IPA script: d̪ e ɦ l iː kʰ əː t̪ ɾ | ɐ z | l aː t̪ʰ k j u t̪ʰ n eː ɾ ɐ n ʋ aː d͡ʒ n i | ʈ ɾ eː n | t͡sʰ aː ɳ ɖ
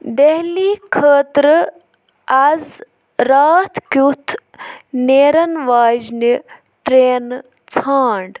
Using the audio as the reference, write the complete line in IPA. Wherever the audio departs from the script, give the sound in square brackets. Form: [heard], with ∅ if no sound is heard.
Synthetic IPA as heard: d̪ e ɦ l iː kʰ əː t̪ ɾ | ɐ z | [ɾ] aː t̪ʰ k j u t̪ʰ n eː ɾ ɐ n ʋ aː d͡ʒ n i | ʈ ɾ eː n | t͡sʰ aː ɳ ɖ